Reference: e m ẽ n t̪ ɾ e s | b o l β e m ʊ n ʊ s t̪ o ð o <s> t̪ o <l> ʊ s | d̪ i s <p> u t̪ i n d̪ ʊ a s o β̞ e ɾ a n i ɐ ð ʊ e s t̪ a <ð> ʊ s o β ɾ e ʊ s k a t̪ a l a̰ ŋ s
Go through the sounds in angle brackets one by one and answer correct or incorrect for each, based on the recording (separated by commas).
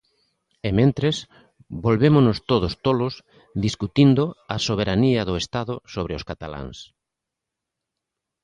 correct, correct, incorrect, correct